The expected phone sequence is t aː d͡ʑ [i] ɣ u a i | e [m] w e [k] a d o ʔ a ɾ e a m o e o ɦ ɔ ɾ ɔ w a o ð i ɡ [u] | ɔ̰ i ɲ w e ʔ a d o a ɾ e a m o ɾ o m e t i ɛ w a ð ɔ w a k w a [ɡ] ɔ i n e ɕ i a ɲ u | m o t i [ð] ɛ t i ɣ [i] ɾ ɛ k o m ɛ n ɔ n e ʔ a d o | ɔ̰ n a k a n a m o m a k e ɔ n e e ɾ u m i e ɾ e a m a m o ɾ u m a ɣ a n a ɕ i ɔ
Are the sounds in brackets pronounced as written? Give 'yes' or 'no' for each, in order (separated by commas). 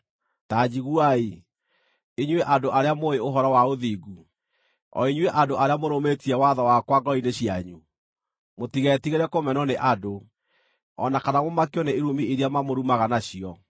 yes, no, no, yes, yes, no, no